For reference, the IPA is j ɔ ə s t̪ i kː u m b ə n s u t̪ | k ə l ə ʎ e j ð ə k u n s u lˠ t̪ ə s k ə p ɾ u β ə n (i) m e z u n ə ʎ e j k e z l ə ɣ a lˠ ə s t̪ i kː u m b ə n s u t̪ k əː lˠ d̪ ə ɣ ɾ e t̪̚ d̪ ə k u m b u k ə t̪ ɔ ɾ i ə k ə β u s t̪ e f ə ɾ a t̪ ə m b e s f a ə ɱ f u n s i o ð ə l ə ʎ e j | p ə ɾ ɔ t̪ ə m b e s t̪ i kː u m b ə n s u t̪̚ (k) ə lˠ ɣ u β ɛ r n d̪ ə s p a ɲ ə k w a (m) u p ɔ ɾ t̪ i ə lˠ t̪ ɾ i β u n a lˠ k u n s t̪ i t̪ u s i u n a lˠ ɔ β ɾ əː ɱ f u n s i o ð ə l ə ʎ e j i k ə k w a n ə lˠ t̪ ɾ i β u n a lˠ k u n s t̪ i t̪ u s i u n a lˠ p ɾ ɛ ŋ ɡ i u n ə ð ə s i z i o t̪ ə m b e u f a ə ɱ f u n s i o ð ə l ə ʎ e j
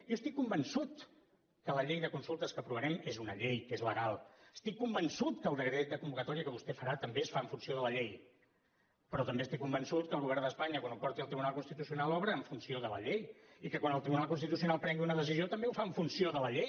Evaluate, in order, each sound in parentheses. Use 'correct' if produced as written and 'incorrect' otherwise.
incorrect, correct, incorrect

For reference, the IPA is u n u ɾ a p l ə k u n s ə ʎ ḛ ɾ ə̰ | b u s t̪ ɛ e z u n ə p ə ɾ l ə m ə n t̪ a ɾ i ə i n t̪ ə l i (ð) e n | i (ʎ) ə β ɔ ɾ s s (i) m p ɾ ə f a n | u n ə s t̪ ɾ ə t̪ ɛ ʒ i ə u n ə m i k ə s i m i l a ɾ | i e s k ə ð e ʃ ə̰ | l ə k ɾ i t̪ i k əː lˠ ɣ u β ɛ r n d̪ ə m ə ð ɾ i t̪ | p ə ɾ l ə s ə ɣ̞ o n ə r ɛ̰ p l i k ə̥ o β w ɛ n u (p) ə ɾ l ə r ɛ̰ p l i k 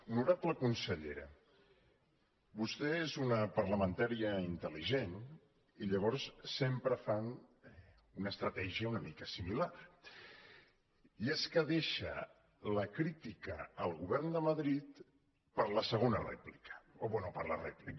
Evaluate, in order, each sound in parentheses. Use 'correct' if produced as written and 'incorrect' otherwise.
incorrect, correct, incorrect, correct

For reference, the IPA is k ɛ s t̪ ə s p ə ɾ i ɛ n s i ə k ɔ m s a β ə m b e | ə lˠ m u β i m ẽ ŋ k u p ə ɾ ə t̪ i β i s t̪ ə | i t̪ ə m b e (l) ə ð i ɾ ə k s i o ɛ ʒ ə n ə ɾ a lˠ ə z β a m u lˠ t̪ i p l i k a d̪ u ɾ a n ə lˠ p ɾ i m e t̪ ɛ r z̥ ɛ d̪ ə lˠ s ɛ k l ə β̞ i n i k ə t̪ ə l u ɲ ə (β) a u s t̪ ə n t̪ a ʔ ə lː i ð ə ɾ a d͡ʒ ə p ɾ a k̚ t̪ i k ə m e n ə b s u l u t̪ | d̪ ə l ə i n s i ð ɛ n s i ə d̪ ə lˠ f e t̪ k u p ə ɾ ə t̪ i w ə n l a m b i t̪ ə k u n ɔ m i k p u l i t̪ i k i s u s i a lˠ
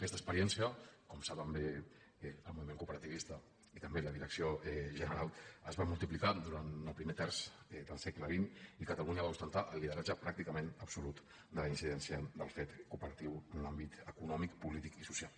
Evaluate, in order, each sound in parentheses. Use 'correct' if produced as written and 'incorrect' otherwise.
correct, correct

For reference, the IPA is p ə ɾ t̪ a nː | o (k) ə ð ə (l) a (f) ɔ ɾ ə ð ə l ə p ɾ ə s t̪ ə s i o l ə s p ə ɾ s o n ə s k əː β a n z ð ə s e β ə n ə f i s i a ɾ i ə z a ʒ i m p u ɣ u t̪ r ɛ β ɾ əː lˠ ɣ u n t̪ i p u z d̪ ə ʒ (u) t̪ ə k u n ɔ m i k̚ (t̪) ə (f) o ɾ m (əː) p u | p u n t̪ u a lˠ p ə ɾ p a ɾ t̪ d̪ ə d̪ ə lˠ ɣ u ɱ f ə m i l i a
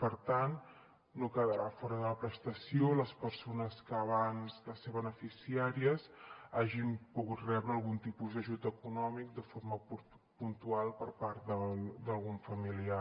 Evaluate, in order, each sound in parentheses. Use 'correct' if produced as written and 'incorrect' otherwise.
correct, incorrect, correct, correct, incorrect, correct, incorrect

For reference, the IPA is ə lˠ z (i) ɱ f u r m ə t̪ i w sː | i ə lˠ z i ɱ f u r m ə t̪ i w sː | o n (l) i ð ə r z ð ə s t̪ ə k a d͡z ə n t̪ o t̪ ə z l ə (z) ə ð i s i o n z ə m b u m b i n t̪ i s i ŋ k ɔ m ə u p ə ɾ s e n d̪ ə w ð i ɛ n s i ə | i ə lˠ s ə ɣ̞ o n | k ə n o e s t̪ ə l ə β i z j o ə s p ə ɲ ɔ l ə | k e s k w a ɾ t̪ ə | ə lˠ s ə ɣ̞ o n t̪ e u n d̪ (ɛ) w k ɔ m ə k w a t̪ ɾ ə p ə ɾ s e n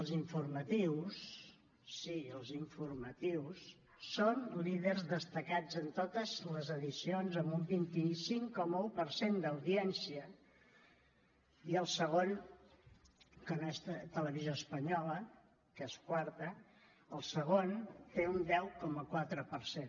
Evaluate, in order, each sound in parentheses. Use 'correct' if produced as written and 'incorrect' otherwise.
correct, correct, correct, correct

